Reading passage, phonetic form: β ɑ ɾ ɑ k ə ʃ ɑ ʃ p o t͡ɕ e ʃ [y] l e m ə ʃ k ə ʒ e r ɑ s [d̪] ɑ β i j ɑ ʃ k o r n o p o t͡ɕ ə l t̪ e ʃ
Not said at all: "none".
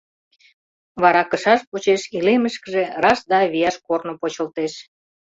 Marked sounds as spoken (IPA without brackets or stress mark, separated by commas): i, d̪